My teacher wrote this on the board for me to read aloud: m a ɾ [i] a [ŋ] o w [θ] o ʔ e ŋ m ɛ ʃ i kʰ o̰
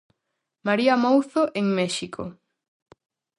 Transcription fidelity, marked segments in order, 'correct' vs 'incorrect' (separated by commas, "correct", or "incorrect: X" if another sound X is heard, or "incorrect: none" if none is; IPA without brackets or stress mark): correct, incorrect: m, correct